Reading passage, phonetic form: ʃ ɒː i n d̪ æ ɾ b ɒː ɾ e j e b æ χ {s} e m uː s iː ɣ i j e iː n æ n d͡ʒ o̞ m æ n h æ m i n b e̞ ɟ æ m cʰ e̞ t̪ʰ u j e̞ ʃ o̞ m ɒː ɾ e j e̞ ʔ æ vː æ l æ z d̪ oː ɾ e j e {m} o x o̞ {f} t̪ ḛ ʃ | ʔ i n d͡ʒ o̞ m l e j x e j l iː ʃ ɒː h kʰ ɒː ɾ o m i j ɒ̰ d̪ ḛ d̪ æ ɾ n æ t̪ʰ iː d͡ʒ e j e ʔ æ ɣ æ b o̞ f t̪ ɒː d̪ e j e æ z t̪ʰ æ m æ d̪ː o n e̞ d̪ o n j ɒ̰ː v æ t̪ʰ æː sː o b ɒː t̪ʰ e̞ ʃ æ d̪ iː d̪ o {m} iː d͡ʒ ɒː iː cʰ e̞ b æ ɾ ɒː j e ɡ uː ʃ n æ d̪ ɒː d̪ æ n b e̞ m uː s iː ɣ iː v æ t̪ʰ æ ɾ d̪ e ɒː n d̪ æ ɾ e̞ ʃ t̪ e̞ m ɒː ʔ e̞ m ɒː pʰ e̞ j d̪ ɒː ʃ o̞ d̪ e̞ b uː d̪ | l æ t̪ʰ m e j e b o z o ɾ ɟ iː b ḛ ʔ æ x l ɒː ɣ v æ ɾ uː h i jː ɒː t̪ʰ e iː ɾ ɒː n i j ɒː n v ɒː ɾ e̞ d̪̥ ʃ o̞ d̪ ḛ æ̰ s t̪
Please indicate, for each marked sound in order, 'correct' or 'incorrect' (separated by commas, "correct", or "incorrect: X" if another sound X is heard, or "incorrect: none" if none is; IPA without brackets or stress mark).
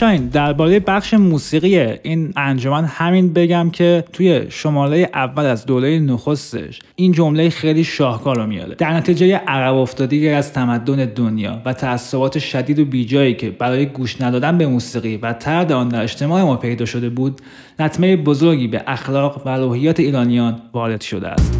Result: incorrect: ʃ, incorrect: n, incorrect: s, incorrect: b